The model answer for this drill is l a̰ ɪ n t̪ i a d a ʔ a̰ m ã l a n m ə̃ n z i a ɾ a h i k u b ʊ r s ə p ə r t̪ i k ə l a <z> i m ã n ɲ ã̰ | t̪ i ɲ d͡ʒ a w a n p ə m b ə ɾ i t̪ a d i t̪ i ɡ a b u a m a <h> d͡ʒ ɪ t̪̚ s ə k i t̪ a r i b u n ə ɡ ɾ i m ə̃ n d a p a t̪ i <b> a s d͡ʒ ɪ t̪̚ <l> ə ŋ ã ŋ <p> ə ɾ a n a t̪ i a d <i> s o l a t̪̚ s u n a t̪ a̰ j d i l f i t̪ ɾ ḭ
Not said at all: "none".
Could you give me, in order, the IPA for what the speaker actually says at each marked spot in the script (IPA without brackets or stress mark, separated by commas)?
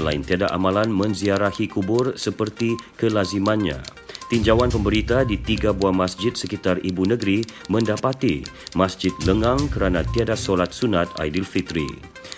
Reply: z, s, m, l, k, a